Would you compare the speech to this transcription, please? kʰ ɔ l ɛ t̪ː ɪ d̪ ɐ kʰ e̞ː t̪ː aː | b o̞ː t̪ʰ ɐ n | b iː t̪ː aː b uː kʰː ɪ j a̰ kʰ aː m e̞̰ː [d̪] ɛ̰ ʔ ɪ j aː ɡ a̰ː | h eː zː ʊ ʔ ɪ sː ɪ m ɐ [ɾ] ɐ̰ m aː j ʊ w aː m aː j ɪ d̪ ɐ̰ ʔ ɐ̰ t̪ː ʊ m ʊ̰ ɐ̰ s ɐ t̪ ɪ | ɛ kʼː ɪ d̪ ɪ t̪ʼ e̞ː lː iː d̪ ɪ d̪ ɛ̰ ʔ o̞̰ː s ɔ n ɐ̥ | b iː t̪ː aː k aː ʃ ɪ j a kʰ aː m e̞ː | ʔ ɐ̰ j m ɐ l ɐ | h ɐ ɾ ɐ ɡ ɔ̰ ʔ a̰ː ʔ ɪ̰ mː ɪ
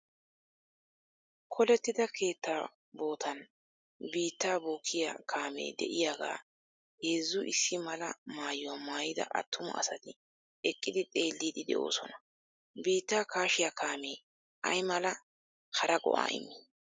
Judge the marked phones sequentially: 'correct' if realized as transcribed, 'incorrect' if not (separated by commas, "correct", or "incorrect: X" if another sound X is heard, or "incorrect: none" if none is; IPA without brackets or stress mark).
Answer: correct, incorrect: l